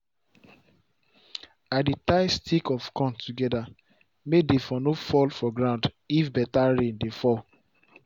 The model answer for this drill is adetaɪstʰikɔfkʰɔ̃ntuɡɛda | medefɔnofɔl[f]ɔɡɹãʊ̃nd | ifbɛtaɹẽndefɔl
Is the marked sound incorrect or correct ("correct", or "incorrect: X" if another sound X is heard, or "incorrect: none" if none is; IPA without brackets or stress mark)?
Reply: correct